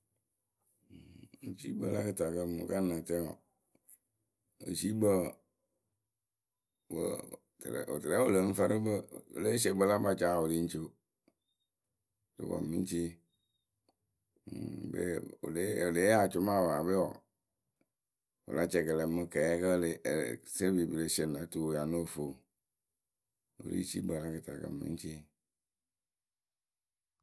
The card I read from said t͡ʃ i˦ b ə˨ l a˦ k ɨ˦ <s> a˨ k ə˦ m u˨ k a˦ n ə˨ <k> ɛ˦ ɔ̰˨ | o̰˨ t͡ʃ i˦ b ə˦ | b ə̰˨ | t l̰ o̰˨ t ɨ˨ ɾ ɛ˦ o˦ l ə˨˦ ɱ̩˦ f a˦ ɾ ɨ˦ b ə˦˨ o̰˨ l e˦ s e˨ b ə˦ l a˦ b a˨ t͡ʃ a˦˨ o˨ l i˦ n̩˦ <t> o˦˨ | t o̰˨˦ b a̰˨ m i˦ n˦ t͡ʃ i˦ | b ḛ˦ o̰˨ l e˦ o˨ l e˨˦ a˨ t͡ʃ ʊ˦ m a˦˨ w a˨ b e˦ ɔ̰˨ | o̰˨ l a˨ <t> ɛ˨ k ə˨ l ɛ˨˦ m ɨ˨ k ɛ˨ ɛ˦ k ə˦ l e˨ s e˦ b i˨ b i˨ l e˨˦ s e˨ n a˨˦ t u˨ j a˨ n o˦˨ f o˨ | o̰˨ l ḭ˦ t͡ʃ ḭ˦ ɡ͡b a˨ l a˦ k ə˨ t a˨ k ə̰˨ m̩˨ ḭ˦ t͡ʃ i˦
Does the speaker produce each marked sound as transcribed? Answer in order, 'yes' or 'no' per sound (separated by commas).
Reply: no, no, no, no